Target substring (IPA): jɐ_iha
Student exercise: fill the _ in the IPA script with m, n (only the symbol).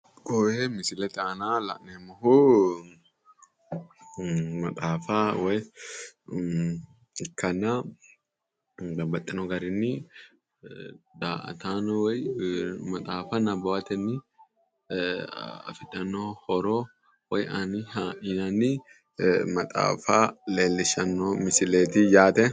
n